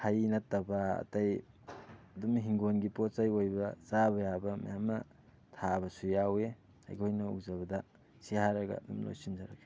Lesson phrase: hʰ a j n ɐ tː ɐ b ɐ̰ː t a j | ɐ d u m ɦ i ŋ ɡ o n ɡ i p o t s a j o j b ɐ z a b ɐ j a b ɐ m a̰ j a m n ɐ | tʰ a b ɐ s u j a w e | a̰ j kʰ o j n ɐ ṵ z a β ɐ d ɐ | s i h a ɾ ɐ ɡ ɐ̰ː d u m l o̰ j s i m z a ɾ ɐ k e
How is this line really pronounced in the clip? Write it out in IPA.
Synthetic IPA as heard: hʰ a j n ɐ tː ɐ b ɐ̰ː t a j | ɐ d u m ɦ i ŋ ɡ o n ɡ i p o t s a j o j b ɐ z a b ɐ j a b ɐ m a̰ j a m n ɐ | tʰ a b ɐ s u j a w e | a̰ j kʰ o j n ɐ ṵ z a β ɐ d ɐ | s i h a ɾ ɐ ɡ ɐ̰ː d u m l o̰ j s i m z a ɾ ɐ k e